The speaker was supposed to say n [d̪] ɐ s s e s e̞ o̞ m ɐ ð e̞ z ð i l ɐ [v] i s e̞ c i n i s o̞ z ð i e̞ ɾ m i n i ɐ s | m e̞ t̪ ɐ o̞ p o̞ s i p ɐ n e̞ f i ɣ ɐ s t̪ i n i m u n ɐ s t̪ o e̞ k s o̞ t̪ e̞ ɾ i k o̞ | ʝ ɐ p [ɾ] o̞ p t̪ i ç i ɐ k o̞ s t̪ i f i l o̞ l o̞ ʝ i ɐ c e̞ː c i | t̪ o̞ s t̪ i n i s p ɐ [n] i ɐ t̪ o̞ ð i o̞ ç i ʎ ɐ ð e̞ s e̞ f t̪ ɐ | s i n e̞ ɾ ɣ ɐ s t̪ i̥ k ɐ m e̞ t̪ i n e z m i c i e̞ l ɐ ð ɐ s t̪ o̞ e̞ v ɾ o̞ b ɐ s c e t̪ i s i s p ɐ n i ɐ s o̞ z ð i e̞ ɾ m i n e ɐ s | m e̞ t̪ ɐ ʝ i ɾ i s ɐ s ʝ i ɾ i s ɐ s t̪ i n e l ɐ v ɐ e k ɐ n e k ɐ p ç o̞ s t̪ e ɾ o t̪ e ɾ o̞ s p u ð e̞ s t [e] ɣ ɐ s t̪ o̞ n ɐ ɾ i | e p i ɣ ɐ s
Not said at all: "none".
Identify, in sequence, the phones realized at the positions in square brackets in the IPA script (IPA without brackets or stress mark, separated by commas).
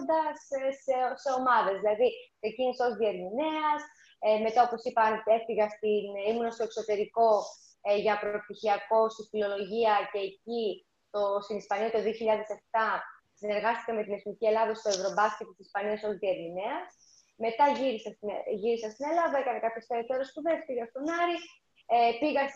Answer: d̪, ð, ɾ, n, i